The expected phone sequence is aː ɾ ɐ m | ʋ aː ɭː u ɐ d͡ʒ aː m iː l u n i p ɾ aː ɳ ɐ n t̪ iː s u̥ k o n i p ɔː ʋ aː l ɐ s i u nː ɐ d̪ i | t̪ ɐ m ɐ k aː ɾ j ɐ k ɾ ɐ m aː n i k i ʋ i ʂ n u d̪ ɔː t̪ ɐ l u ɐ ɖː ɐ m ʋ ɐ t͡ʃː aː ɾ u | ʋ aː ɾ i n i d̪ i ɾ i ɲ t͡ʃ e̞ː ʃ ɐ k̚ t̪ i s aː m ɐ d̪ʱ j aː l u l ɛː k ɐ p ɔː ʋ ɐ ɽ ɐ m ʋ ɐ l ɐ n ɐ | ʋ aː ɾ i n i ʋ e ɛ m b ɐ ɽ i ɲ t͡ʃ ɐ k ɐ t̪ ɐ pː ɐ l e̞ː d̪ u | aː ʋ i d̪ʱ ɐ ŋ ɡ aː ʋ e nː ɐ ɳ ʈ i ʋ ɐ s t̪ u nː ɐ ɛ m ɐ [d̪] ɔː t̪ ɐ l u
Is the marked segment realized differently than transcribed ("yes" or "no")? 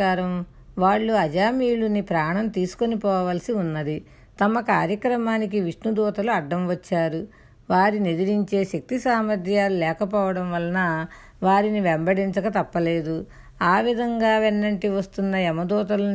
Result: no